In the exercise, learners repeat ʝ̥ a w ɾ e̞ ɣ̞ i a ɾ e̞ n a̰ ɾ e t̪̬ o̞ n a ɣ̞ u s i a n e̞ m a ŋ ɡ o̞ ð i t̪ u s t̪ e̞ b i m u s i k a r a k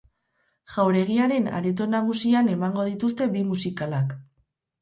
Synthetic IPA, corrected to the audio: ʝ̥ a w ɾ e̞ ɣ̞ i a ɾ e̞ n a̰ ɾ e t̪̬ o̞ n a ɣ̞ u s i a n e̞ m a ŋ ɡ o̞ ð i t̪ u s t̪ e̞ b i m u s i k a l a k